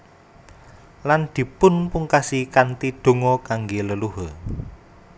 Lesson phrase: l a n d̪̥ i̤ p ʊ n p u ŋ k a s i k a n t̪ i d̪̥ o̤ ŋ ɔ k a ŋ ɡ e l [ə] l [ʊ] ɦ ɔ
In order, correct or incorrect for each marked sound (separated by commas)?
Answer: correct, incorrect